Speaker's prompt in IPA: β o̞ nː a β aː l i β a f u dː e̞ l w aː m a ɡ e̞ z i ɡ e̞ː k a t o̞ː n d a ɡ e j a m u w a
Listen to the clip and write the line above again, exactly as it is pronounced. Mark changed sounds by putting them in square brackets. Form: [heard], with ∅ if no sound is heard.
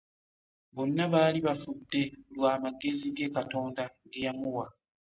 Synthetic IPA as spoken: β o̞ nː a β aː l i β a f u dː e̞ l w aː m a ɡ e̞ z i ɡ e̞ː k a t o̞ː n d a ɡ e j a m u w a